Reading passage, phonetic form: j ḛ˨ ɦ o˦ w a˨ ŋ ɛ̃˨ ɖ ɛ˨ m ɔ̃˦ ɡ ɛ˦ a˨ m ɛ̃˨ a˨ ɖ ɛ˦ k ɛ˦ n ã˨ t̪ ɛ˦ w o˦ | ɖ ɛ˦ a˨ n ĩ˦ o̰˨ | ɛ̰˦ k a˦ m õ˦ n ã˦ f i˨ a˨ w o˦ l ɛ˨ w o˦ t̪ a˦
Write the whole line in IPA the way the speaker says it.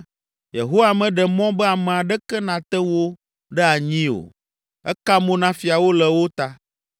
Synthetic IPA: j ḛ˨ ɦ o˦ w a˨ m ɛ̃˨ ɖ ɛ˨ m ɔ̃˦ b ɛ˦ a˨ m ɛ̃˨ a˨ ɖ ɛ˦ k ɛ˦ n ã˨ t̪ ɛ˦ w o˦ | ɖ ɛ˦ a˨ ɲ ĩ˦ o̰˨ | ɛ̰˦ k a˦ m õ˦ n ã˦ f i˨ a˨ w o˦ l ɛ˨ w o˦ t̪ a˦